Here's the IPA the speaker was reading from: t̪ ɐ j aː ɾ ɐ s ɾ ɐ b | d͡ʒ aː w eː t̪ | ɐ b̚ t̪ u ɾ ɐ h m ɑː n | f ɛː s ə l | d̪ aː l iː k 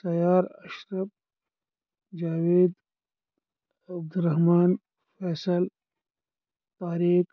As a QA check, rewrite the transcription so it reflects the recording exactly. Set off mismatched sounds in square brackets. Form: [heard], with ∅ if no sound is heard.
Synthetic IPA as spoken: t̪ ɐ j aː ɾ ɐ [ʃ] ɾ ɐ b | d͡ʒ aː w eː [d̪] | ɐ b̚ [d̪] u ɾ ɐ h m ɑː n | f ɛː s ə l | [t̪] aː [ɾ] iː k